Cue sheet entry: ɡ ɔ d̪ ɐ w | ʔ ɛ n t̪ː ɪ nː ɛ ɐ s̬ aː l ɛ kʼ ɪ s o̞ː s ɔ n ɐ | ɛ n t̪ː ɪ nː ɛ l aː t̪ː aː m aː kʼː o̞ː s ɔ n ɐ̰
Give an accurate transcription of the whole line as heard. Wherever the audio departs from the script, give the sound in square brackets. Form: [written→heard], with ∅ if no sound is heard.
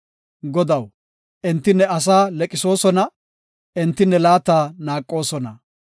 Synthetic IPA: ɡ ɔ d̪ ɐ w | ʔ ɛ n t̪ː ɪ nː ɛ ɐ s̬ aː l ɛ kʼ ɪ s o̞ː s ɔ n ɐ | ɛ n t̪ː ɪ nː ɛ l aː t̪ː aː [m→n] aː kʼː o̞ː s ɔ n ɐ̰